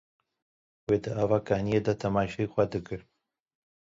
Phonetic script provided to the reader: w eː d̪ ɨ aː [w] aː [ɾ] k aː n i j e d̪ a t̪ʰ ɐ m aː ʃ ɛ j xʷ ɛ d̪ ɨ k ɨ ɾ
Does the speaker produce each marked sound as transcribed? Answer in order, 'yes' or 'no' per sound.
no, no

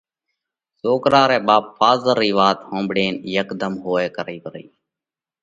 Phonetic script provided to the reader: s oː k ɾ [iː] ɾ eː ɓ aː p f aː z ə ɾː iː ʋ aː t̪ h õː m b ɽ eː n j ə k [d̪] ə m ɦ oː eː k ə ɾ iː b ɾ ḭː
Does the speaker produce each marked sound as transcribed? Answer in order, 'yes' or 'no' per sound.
no, yes

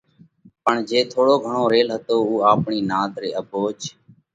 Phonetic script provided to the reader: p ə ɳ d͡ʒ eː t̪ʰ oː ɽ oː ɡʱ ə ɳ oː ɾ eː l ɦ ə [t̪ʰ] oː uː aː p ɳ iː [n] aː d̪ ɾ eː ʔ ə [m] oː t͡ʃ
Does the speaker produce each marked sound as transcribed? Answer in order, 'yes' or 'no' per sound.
no, yes, no

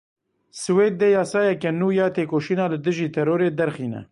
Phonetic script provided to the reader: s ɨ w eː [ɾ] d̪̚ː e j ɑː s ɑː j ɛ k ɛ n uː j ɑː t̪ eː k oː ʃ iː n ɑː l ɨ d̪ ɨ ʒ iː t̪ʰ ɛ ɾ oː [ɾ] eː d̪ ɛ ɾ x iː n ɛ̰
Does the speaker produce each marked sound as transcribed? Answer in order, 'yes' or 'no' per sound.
no, yes

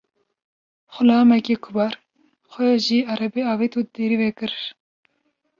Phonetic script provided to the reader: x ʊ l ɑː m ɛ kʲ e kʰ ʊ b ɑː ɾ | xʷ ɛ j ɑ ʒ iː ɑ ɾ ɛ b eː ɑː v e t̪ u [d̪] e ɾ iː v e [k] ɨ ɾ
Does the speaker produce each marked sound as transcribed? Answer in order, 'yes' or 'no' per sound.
yes, yes

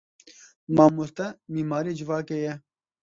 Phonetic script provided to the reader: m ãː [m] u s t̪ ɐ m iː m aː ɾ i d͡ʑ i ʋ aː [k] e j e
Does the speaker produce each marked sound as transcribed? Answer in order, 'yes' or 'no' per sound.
yes, yes

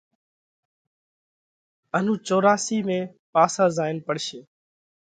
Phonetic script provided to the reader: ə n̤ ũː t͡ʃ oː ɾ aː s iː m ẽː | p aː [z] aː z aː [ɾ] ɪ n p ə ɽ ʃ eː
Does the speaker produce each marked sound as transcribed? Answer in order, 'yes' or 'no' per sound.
no, no

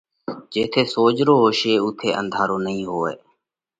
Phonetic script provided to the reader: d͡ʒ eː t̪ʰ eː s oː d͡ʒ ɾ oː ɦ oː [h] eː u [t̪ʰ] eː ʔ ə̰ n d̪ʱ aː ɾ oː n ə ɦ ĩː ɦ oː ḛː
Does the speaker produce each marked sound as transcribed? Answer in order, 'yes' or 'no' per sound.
no, yes

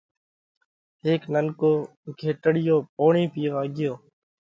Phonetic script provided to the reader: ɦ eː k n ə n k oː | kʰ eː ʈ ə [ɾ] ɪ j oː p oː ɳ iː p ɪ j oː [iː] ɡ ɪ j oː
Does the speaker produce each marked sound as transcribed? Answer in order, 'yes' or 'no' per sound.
no, no

